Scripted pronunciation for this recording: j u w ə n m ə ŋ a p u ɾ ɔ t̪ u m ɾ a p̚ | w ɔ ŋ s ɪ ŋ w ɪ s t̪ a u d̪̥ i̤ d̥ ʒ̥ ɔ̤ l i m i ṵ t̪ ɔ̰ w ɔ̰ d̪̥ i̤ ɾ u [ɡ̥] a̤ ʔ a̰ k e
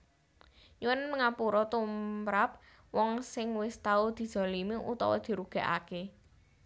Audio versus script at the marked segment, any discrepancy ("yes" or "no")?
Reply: no